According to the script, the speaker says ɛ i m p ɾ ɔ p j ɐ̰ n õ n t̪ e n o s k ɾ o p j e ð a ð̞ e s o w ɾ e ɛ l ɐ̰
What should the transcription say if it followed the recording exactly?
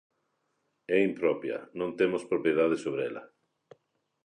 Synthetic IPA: ɛ i m p ɾ ɔ p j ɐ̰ n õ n t̪ e m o s p ɾ o p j e ð a ð̞ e s o β ɾ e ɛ l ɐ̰